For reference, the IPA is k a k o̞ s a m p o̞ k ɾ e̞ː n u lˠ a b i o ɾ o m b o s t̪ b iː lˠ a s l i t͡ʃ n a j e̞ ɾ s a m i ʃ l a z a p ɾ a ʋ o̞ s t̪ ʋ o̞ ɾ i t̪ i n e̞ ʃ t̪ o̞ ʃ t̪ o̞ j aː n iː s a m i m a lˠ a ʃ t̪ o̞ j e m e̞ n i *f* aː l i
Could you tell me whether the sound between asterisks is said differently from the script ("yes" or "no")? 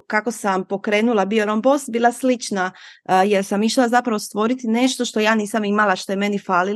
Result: no